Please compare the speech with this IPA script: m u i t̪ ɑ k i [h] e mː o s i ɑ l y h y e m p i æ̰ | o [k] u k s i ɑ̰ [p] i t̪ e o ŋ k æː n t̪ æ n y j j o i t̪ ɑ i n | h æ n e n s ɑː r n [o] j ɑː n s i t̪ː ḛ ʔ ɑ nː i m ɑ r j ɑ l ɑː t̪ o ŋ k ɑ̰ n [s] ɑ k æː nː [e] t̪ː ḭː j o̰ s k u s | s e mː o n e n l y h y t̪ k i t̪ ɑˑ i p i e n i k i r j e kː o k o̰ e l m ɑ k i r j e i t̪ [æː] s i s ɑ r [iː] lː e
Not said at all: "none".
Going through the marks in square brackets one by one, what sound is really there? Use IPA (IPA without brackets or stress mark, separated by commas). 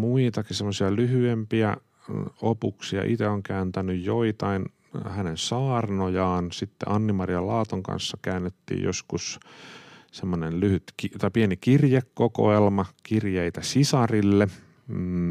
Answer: s, p, ʔ, o, sː, e, æ, i